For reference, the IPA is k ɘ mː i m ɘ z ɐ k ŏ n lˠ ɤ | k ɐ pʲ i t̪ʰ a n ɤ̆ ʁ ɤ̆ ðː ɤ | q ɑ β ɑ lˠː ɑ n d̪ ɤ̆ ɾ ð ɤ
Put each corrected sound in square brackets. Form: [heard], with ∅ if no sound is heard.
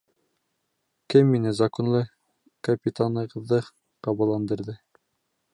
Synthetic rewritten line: k ɘ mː i [n] ɘ z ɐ k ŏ n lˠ ɤ | k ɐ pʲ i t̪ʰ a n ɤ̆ ʁ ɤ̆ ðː ɤ | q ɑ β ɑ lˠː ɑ n d̪ ɤ̆ ɾ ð ɤ